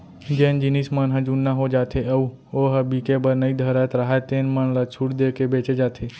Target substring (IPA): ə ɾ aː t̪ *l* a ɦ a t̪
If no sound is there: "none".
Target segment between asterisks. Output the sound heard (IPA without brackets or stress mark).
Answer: ɾ